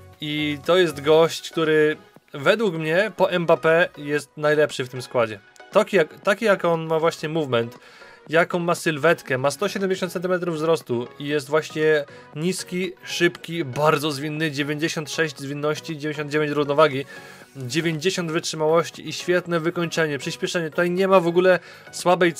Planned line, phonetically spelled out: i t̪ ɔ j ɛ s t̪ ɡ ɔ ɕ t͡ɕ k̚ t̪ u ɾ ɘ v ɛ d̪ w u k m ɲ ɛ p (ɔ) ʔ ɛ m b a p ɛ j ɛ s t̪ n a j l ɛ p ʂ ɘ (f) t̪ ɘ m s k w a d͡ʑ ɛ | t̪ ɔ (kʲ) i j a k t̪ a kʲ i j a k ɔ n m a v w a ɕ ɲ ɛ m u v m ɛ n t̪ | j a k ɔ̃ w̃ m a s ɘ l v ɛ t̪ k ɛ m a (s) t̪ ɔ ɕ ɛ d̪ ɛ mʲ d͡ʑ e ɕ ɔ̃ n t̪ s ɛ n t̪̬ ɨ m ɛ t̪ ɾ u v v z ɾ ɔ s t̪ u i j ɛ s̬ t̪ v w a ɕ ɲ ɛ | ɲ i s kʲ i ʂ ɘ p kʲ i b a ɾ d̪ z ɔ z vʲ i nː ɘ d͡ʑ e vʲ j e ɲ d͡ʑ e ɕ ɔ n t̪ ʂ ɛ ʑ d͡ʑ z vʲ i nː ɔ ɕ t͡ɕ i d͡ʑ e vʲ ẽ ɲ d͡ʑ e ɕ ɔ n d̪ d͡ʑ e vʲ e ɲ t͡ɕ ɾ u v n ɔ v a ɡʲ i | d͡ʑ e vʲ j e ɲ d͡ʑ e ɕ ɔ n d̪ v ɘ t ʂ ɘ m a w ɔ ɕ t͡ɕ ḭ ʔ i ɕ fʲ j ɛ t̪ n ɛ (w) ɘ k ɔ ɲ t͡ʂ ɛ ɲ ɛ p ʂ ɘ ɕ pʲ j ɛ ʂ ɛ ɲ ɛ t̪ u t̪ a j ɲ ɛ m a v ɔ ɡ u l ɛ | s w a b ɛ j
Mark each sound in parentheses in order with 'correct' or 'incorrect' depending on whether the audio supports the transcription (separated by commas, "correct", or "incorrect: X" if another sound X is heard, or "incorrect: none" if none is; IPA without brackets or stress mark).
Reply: correct, correct, correct, correct, incorrect: v